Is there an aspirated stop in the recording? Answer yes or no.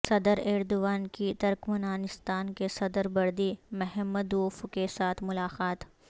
yes